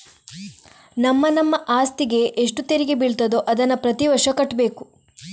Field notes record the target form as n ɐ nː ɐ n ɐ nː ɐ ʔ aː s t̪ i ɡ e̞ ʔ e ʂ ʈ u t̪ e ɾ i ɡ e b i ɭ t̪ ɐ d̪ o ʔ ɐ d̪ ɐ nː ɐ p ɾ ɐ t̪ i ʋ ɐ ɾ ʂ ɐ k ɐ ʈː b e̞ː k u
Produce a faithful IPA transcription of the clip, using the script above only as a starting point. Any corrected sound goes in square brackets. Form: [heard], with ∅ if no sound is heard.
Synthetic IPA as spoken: n ɐ [mː] ɐ n ɐ [mː] ɐ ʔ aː s t̪ i ɡ e̞ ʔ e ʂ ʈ u t̪ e ɾ i ɡ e b i ɭ t̪ ɐ d̪ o ʔ ɐ d̪ ɐ nː ɐ p ɾ ɐ t̪ i ʋ ɐ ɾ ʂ ɐ k ɐ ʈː b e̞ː k u

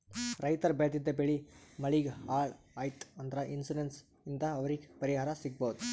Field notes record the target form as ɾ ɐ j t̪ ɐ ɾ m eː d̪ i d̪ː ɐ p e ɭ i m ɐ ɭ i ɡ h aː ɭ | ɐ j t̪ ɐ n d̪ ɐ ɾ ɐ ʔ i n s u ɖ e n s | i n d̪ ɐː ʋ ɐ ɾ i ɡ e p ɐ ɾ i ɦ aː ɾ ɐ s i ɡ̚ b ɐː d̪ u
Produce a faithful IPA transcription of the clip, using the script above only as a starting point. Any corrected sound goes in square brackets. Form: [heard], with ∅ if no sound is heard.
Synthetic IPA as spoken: ɾ ɐ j t̪ ɐ ɾ [b] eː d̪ i d̪ː ɐ [b] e ɭ i m ɐ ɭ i ɡ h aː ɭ | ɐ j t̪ ɐ n d̪ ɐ ɾ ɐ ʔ i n s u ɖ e n s | i n d̪ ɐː ʋ ɐ ɾ i ɡ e p ɐ ɾ i ɦ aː ɾ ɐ s i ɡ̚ b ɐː d̪ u

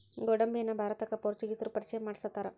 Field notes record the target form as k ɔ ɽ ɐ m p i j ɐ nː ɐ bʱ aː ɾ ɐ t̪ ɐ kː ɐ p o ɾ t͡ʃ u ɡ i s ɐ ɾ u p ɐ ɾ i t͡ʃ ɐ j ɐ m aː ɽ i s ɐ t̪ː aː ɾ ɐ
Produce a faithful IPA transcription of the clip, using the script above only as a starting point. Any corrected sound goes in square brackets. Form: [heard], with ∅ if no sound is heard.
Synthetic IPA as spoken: [ɡ] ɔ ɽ ɐ m [b] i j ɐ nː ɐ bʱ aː ɾ ɐ t̪ ɐ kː ɐ p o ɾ t͡ʃ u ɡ i s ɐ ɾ u p ɐ ɾ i t͡ʃ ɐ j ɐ m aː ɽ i s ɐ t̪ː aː ɾ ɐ

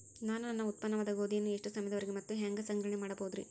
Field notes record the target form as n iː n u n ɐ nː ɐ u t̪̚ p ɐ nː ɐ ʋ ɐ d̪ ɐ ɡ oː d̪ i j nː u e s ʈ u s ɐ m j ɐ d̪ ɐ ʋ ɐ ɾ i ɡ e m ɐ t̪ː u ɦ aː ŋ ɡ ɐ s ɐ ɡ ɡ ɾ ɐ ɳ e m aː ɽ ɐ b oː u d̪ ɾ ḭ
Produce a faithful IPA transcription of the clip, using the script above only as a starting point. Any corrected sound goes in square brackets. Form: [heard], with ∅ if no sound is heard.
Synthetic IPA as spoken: n [aː] n u n ɐ nː ɐ u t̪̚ p ɐ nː ɐ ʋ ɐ d̪ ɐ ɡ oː d̪ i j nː u e [ʂ] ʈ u s ɐ m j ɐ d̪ ɐ ʋ ɐ ɾ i ɡ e m ɐ t̪ː u ɦ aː ŋ ɡ ɐ s ɐ [ŋ] ɡ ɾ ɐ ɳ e m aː ɽ ɐ b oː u d̪ ɾ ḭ

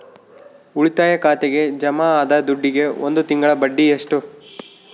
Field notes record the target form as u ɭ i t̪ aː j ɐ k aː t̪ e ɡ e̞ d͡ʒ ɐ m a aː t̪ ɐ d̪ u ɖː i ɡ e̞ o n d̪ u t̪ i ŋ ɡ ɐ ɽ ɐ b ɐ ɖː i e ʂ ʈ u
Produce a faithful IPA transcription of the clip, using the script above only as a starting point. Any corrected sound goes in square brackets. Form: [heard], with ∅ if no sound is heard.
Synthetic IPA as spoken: u ɭ i t̪ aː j ɐ k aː t̪ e ɡ e̞ d͡ʒ ɐ m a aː [d̪] ɐ d̪ u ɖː i ɡ e̞ o n d̪ u t̪ i ŋ ɡ ɐ [ɭ] ɐ b ɐ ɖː i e ʂ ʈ u

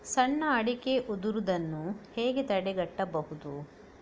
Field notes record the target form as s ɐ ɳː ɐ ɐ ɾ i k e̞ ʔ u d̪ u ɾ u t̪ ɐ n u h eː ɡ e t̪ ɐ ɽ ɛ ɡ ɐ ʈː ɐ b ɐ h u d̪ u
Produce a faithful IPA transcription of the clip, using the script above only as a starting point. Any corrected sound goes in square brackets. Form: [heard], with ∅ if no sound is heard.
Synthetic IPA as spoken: s ɐ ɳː ɐ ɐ [ɽ] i k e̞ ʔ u d̪ u ɾ u [d̪] ɐ [nː] u h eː ɡ e t̪ ɐ ɽ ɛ ɡ ɐ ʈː ɐ b ɐ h u d̪ u

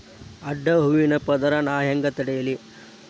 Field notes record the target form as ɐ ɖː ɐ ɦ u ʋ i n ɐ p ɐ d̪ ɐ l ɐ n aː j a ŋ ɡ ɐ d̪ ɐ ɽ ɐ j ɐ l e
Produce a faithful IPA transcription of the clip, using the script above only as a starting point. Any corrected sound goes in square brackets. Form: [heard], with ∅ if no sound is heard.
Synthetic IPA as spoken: ɐ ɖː ɐ ɦ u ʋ i n ɐ p ɐ d̪ ɐ [ɾ] ɐ n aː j [ɐ] ŋ ɡ ɐ [t̪] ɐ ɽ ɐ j ɐ l [i]

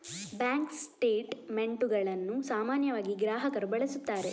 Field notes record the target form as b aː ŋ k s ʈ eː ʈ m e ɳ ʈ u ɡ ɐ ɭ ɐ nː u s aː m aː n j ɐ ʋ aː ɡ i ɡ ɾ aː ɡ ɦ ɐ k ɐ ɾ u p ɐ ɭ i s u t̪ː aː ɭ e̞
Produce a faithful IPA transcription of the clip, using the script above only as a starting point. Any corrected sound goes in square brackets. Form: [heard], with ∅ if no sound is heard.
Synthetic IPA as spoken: b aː ŋ k s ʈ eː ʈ m e ɳ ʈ u ɡ ɐ ɭ ɐ nː u s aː m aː n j ɐ ʋ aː ɡ i ɡ ɾ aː [∅] ɦ ɐ k ɐ ɾ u [b] ɐ ɭ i s u t̪ː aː [ɾ] e̞

